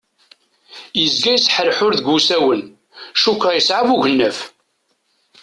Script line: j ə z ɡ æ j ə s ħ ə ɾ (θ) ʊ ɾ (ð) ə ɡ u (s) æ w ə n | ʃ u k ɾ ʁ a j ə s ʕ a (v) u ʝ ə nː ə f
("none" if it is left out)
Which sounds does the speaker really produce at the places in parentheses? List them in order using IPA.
ħ, ð, s, v

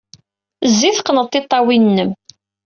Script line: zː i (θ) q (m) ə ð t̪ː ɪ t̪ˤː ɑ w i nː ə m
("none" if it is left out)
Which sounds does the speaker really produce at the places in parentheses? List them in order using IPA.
θ, n

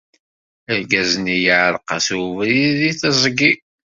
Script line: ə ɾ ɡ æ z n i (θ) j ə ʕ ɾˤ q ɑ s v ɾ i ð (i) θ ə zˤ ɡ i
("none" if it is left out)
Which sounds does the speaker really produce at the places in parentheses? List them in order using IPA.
none, i

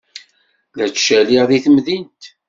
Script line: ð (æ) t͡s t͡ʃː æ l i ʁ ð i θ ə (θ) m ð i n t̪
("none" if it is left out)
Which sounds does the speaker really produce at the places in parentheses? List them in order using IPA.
æ, none

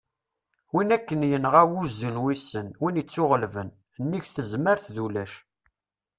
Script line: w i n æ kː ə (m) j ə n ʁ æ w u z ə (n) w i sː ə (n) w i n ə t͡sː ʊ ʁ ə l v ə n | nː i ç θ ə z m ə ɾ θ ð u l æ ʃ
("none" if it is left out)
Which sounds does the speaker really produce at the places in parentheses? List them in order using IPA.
n, n, n

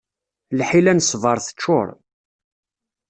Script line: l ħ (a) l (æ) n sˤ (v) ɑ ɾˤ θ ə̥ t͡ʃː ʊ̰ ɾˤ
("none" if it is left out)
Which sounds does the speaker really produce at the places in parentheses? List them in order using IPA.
i, æ, v

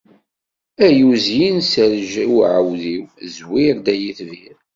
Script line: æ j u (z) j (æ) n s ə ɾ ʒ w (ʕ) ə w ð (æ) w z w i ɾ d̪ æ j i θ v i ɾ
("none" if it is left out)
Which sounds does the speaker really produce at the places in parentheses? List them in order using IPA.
z, i, ʕ, i

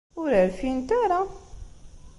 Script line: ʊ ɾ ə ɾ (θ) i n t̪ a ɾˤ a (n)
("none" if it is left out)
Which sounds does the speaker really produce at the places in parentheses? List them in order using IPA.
f, none

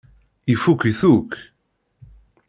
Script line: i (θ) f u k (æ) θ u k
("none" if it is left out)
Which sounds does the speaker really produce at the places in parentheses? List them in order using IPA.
none, i

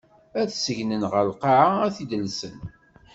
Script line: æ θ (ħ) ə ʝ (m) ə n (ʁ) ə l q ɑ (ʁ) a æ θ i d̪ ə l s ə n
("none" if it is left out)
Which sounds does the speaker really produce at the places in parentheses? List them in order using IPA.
s, n, ʁ, ʕ

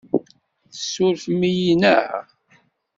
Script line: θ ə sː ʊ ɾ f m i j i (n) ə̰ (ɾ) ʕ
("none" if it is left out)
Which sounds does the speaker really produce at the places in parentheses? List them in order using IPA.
n, none

